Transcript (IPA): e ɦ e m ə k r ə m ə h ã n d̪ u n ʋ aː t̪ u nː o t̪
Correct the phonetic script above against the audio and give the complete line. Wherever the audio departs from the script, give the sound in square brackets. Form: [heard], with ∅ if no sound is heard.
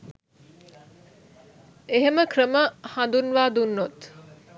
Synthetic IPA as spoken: e ɦ e m ə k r ə m ə h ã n d̪ u n ʋ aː [d̪] u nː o t̪